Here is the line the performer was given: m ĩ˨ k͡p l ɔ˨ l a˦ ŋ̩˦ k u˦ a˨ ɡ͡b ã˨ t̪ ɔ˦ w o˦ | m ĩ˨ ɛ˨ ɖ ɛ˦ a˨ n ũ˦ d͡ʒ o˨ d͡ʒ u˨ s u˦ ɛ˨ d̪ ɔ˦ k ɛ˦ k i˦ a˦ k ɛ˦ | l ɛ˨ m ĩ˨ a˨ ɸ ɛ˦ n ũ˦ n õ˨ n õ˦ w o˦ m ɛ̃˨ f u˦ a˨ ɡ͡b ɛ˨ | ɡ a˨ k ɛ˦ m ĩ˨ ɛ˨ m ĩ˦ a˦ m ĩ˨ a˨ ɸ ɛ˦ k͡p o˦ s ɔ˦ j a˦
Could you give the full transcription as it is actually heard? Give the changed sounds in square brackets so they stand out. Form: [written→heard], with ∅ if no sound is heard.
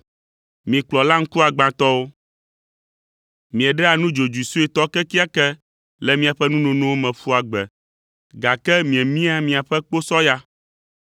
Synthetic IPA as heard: m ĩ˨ k͡p l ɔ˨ l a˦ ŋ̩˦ k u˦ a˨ ɡ͡b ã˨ t̪ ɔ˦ w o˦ | m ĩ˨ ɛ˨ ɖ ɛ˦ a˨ n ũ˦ d͡ʒ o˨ d͡ʒ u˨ s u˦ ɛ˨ [d̪→t̪] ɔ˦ k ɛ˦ k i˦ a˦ k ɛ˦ | l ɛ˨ m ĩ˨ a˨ ɸ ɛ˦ n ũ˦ n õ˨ n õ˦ w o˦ m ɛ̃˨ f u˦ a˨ ɡ͡b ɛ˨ | ɡ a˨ k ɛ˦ m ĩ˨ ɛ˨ m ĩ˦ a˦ m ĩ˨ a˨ ɸ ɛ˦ k͡p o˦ s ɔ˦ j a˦